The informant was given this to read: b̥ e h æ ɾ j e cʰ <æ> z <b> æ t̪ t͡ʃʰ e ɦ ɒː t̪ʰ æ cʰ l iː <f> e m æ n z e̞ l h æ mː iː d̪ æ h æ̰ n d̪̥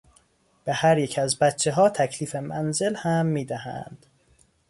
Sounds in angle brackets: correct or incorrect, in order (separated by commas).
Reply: correct, correct, correct